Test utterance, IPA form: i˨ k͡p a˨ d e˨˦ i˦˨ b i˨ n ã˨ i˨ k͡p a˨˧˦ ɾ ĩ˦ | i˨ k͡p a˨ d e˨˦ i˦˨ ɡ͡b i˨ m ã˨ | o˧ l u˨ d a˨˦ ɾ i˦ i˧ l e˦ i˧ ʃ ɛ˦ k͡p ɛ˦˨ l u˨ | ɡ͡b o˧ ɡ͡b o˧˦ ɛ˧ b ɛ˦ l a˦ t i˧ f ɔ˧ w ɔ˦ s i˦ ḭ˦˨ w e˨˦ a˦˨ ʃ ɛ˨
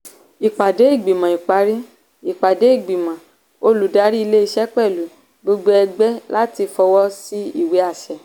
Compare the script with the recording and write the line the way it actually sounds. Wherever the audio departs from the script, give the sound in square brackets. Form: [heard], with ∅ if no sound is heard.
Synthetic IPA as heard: i˨ k͡p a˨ d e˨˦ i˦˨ [ɡ͡b] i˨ [m] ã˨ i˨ k͡p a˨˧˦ ɾ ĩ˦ | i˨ k͡p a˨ d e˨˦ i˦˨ ɡ͡b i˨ m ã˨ | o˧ l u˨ d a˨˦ ɾ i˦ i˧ l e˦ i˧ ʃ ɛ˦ k͡p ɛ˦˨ l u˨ | ɡ͡b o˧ ɡ͡b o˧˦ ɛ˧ [ɡ͡b] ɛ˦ l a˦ t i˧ f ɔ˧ w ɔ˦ s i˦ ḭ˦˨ w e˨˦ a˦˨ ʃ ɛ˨